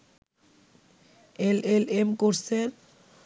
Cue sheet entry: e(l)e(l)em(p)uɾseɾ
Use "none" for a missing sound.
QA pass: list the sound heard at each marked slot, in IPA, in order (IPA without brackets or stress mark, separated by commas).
l, l, k